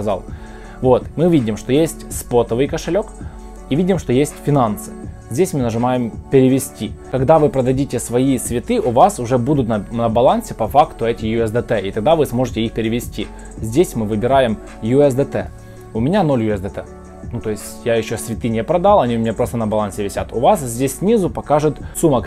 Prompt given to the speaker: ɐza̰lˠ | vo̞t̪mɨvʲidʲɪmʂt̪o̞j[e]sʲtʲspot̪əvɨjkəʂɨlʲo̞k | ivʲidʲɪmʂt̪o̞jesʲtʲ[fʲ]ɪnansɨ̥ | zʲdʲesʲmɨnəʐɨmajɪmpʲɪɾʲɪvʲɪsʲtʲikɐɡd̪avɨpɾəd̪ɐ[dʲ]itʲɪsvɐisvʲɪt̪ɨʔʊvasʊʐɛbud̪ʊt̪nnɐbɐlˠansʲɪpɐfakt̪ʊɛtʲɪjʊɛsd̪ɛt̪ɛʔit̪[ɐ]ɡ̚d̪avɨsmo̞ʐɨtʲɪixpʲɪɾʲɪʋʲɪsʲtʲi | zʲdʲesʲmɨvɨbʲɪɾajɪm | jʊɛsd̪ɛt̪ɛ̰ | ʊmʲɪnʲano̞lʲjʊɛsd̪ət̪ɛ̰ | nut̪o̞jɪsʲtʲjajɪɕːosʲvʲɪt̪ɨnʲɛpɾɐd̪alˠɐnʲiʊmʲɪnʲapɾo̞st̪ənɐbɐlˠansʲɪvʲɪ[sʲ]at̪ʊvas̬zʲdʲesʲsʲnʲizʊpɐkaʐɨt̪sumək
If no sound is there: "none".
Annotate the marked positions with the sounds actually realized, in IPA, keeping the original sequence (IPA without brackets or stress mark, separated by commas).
e, fʲ, dʲ, ɐ, sʲ